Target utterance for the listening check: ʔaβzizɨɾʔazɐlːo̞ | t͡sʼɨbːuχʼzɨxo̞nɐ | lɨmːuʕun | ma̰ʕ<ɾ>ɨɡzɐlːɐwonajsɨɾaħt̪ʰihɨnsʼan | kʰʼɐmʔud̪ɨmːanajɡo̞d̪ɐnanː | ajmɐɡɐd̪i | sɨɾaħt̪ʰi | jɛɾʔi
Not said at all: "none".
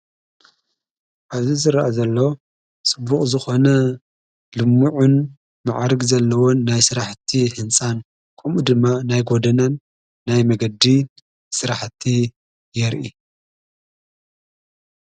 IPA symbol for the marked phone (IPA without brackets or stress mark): ɾ